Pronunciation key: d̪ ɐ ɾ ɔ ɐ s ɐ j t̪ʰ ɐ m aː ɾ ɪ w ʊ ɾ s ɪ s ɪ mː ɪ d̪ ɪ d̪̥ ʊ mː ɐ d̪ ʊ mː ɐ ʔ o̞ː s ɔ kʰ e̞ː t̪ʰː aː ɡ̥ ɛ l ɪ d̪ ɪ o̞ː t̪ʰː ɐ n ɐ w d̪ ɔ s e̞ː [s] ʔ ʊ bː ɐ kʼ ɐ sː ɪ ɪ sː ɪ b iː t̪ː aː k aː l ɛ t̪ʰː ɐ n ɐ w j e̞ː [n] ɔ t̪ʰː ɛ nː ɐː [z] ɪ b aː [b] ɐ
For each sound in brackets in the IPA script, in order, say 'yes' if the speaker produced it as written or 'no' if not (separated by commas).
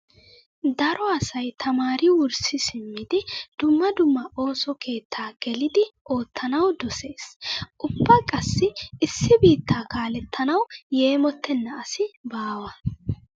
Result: yes, no, no, no